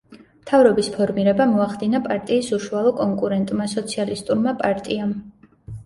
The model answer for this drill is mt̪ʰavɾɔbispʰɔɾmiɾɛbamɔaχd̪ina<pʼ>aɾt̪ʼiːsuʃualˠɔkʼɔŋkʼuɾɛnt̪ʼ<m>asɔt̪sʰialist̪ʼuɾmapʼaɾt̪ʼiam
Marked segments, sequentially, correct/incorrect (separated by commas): correct, correct